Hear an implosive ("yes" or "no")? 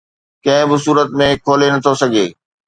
no